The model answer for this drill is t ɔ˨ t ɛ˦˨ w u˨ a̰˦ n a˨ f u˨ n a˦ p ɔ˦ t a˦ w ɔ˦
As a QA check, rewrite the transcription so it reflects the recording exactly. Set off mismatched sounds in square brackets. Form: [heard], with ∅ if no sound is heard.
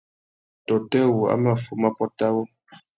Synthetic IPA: t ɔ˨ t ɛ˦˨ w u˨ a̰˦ [m] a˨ f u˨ [m] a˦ p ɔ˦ t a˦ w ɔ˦